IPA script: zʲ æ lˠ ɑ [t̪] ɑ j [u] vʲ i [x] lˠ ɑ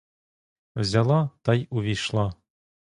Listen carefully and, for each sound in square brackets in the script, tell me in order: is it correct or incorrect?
correct, correct, incorrect

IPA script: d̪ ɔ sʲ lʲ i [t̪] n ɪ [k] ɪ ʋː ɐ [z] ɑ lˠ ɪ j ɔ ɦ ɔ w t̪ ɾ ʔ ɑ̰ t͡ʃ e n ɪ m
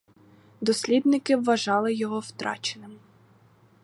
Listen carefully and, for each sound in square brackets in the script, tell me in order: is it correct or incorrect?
incorrect, correct, incorrect

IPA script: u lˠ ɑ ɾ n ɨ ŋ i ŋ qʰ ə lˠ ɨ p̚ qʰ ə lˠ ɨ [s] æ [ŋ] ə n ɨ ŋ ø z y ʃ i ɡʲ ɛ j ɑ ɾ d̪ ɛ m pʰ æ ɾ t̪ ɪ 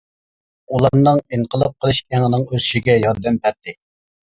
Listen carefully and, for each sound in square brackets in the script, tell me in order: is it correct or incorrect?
incorrect, correct

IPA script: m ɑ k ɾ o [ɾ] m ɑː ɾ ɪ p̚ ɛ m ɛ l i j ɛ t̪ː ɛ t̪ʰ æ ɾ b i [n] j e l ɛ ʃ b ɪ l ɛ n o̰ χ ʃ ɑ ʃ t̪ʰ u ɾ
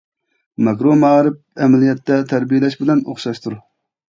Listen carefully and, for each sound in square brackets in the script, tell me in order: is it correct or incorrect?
incorrect, incorrect

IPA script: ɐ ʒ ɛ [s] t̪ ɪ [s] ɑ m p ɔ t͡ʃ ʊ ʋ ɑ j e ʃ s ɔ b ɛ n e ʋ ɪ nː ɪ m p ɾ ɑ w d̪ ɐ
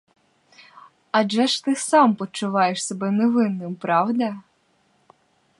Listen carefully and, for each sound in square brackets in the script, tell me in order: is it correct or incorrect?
incorrect, correct

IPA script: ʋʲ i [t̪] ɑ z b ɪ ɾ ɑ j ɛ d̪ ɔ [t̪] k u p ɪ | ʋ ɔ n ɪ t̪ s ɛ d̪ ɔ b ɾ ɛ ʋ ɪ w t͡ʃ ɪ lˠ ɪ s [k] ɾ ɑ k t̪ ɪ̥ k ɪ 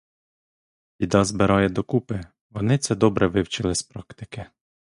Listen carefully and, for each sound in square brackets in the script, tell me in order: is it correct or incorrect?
incorrect, incorrect, incorrect

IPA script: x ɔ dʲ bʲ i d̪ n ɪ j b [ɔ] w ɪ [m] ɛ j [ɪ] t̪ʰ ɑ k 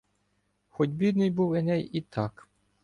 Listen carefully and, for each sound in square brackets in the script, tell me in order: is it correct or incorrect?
incorrect, incorrect, incorrect

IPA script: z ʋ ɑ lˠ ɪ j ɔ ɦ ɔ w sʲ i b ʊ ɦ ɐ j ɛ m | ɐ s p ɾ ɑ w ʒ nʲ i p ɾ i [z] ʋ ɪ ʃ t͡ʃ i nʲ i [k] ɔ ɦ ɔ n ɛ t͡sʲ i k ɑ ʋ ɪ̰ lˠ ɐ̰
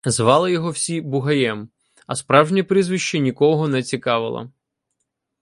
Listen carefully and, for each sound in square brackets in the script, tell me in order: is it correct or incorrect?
correct, correct

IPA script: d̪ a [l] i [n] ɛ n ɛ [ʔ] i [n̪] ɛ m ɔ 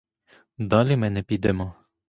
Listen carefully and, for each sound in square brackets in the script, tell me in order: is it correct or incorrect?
correct, incorrect, incorrect, incorrect

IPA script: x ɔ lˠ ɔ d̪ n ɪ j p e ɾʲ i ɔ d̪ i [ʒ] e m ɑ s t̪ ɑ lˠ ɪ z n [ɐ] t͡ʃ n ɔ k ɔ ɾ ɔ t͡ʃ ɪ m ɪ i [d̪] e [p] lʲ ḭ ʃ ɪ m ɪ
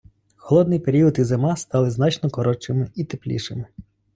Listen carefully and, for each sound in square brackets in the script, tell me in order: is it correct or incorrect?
incorrect, incorrect, incorrect, correct

